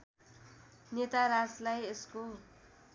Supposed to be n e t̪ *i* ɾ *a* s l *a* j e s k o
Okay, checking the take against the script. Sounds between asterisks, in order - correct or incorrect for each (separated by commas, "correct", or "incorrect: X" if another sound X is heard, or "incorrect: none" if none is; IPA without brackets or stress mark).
incorrect: a, correct, correct